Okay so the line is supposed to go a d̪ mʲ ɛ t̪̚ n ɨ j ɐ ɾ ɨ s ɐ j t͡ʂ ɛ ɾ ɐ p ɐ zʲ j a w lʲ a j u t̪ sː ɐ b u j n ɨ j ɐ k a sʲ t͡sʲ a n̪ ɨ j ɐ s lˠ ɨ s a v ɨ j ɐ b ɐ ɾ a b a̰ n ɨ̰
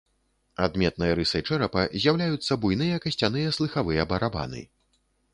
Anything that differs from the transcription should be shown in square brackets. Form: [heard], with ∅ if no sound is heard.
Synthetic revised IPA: a d̪ mʲ ɛ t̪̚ n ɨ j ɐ ɾ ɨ s ɐ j t͡ʂ ɛ ɾ ɐ p ɐ zʲ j a w lʲ a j u t̪ sː ɐ b u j n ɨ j ɐ k [ɐ] sʲ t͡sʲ a n̪ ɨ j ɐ s lˠ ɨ [x] a v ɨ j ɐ b ɐ ɾ a b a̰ n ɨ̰

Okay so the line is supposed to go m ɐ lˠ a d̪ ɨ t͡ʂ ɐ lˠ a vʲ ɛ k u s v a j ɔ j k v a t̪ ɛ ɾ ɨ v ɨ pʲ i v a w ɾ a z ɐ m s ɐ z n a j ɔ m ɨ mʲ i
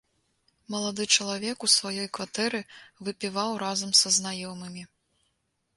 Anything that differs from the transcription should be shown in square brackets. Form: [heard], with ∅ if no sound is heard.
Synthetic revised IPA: m ɐ lˠ a d̪ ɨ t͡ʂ ɐ lˠ a vʲ ɛ k u s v a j ɔ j k v a t̪ ɛ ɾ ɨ v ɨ pʲ i v a w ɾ a z ɐ m s ɐ z n a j ɔ m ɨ mʲ i

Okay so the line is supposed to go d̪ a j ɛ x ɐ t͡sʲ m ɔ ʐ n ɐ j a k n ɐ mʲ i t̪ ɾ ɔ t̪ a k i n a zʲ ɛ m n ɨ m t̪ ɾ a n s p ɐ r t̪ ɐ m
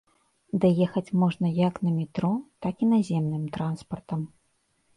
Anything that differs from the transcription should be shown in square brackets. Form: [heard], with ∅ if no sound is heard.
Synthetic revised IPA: d̪ a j ɛ x ɐ t͡sʲ m ɔ ʐ n ɐ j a k n ɐ mʲ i t̪ ɾ ɔ t̪ a k i n a zʲ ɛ m n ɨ m t̪ ɾ a n s p ɐ r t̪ ɐ m

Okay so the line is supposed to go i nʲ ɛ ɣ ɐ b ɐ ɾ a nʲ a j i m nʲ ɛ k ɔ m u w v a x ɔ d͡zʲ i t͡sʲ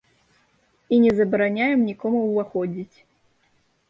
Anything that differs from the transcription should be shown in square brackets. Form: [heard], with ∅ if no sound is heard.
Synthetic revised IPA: i nʲ ɛ [z] ɐ b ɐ ɾ a nʲ a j [ɛ] m nʲ [i] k ɔ m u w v a x ɔ d͡zʲ i t͡sʲ

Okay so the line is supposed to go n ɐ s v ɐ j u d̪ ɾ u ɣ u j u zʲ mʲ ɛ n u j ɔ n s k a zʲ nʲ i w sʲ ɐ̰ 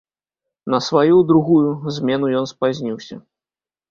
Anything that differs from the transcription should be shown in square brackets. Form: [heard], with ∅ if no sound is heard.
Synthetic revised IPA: n ɐ s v [a] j u d̪ ɾ u ɣ u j u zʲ mʲ ɛ n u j ɔ n s [p] a zʲ nʲ i w sʲ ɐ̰

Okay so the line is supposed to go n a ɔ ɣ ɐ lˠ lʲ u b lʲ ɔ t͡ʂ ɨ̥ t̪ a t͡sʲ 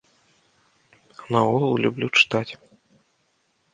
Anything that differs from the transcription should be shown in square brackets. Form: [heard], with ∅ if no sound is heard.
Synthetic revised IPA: n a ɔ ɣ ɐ lˠ lʲ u b lʲ [u] t͡ʂ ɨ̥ t̪ a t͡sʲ

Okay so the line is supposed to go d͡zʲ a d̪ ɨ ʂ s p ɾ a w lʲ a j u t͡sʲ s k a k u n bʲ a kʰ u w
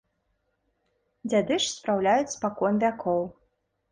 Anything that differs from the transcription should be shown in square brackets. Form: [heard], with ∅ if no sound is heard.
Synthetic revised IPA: d͡zʲ a d̪ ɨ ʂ s p ɾ a w lʲ a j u t͡sʲ s [p] a k [ɔ] n [vʲ] a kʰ [ɔ] w

